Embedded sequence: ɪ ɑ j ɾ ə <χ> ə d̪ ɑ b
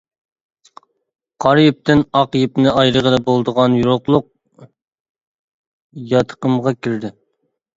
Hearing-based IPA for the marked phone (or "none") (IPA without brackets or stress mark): ʁ